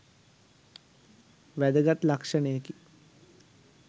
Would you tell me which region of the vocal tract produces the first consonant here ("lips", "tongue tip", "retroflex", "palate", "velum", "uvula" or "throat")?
lips